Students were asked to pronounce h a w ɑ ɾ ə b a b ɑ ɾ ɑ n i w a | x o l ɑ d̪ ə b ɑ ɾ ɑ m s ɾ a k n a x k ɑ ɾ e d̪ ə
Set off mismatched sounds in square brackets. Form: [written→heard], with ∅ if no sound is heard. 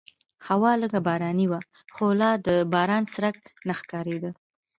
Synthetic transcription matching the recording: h a w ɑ [ɾ→l] ə [b→ɡ] a b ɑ ɾ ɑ n i w a | x o l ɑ d̪ ə b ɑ ɾ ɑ [m→n] s ɾ a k n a x k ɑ ɾ e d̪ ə